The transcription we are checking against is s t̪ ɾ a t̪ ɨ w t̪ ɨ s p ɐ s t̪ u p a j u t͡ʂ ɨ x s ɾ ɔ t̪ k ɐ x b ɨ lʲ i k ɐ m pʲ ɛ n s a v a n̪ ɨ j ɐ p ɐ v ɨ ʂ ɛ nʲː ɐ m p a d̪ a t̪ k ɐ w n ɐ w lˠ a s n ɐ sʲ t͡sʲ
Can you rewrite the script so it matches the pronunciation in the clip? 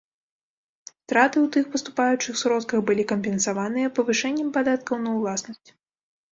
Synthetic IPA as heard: s t̪ ɾ a t̪ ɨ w t̪ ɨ x p ɐ s t̪ u p a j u t͡ʂ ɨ x s ɾ ɔ t̪ k ɐ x b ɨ lʲ i k ɐ m pʲ ɛ n s a v a n̪ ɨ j ɐ p ɐ v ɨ ʂ ɛ nʲː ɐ m p a d̪ a t̪ k ɐ w n ɐ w lˠ a s n ɐ sʲ t͡sʲ

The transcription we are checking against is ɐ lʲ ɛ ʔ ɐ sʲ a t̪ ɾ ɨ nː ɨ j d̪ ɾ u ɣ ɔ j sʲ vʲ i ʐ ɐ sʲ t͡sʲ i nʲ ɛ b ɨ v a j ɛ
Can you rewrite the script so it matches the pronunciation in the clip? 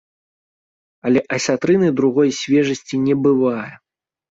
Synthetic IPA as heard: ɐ lʲ ɛ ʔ ɐ sʲ a t̪ ɾ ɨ n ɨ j d̪ ɾ u ɣ ɔ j sʲ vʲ ɛ ʐ ɐ sʲ t͡sʲ i nʲ ɛ b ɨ v a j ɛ

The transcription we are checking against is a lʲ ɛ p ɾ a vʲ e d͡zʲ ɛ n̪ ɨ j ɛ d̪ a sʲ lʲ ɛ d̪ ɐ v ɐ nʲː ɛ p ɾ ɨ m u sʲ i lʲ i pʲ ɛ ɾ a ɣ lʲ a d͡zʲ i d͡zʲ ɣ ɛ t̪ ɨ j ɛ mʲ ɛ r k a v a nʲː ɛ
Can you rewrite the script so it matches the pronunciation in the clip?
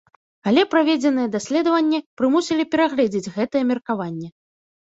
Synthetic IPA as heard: a lʲ ɛ p ɾ a vʲ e d͡zʲ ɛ n̪ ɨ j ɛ d̪ a sʲ lʲ ɛ d̪ ɐ v ɐ nʲː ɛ p ɾ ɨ m u sʲ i lʲ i pʲ ɛ ɾ a ɣ lʲ ɛ d͡zʲ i d͡zʲ ɣ ɛ t̪ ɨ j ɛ mʲ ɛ r k a v a nʲː ɛ

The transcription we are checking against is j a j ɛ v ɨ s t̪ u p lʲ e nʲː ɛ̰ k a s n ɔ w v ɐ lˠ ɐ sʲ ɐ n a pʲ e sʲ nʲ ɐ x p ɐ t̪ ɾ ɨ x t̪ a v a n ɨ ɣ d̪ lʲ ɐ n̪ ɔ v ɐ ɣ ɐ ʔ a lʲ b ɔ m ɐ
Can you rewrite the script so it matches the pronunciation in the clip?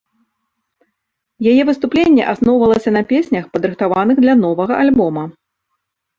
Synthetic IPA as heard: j a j ɛ v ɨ s t̪ u p lʲ e nʲː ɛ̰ ʔ a s n ɔ w v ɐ lˠ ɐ sʲ ɐ n ɐ pʲ e sʲ nʲ ɐ x p ɐ d̪ ɾ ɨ x t̪ a v a n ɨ ɣ d̪ lʲ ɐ n̪ ɔ v ɐ ɣ ɐ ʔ a lʲ b ɔ m ɐ

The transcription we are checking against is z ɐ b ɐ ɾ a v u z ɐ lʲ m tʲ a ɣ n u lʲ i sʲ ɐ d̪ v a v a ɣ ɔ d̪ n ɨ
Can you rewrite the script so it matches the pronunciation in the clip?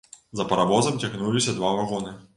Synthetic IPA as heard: z ɐ p ɐ ɾ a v ɔ z ɐ m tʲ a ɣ n u lʲ i sʲ ɐ d̪ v a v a ɣ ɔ n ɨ

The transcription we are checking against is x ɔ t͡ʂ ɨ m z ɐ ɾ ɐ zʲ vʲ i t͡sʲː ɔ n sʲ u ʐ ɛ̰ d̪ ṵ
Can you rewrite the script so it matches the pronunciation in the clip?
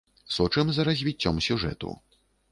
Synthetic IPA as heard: s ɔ t͡ʂ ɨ m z ɐ ɾ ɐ zʲ vʲ i t͡sʲː ɔ m sʲ u ʐ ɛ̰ t̪ ṵ

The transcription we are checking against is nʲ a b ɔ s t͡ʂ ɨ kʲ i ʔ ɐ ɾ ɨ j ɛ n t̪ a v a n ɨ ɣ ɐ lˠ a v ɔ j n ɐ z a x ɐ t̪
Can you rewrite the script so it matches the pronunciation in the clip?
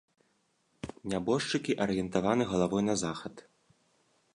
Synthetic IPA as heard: nʲ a b ɔ ʂ t͡ʂ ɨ kʲ i ʔ ɐ ɾ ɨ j ɛ n t̪ a v a n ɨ ɣ ɐ lˠ a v ɔ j n ɐ z a x ɐ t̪

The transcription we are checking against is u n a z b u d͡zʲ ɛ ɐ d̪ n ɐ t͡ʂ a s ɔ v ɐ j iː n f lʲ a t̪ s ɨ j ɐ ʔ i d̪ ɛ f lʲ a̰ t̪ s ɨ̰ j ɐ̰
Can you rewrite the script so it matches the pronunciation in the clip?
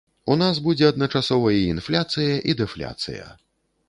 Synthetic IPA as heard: u n a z b u d͡zʲ ɛ ɐ d̪ n ɐ t͡ʂ a s ɔ v ɐ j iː n f lʲ a t̪ s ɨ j ɐ ʔ i d̪ ɛ f lʲ a̰ t̪ s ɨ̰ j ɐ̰

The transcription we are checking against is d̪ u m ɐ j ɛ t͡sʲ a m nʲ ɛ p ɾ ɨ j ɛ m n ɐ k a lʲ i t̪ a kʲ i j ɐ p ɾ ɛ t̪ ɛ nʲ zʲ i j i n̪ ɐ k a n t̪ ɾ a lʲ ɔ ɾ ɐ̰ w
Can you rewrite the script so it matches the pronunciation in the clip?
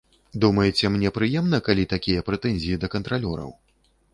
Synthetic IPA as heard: d̪ u m ɐ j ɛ t͡sʲ ɛ m nʲ ɛ p ɾ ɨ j ɛ m n ɐ k a lʲ i t̪ a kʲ i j ɐ p ɾ ɛ t̪ ɛ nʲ zʲ i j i d̪ ɐ k ɐ n t̪ ɾ a lʲ ɔ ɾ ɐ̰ w

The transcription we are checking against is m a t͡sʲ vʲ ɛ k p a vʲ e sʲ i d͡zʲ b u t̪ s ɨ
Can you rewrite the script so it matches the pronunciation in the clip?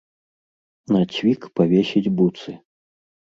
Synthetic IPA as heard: n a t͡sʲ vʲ i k p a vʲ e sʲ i d͡zʲ b u t̪ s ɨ

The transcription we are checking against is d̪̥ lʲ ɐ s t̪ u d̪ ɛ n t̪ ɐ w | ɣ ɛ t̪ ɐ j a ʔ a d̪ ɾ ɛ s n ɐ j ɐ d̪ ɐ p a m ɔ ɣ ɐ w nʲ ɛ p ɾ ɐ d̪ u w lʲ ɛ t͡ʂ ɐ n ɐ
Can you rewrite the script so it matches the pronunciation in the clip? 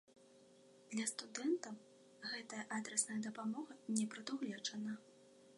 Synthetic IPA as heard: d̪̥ lʲ ɐ s t̪ u d̪ ɛ n t̪ ɐ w | ɣ ɛ t̪ ɐ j ɐ ʔ a d̪ ɾ ɛ s n ɐ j ɐ d̪ ɐ p a m ɔ ɣ ɐ nʲ ɛ p ɾ ɐ d̪ u ɣ lʲ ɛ t͡ʂ ɐ n ɐ

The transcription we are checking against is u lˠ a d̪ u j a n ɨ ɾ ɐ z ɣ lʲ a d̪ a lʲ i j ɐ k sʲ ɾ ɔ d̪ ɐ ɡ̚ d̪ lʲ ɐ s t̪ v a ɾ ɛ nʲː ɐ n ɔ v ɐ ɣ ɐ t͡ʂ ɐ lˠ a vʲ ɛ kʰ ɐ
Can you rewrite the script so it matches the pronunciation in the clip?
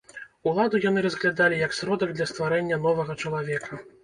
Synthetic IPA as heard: u lˠ a d̪ u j a n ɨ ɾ ɐ z ɣ lʲ a d̪ a lʲ i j ɐ k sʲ ɾ ɔ d̪ ɐ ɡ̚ d̪ lʲ ɐ s t̪ v a ɾ ɛ nʲː ɐ n ɔ v ɐ ɣ ɐ t͡ʂ ɐ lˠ a vʲ ɛ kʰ ɐ

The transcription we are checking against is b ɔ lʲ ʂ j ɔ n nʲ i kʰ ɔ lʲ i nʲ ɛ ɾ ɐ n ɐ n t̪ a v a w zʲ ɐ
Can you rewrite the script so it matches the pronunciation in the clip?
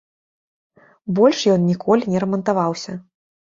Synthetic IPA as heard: b ɔ lʲ ʂ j ɔ n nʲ i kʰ ɔ lʲ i nʲ ɛ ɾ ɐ m ɐ n t̪ a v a w sʲ ɐ

